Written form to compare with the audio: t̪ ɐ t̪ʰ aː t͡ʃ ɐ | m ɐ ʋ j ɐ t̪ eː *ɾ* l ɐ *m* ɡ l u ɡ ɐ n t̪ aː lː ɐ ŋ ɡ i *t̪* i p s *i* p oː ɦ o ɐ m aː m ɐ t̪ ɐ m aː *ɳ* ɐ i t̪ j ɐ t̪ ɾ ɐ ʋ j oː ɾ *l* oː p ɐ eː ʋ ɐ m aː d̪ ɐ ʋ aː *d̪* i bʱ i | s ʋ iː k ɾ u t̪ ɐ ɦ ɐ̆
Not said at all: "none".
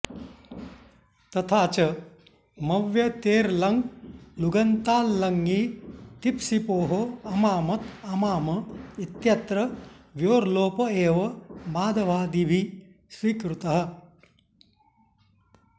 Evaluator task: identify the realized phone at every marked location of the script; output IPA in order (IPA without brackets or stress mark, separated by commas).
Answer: ɾ, ŋ, t̪, i, m, l, d̪